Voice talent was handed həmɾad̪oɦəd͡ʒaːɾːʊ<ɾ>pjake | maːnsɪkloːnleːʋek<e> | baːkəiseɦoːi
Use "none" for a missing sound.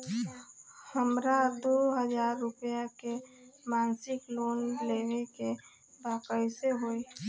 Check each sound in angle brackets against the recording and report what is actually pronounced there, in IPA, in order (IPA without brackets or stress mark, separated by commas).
none, e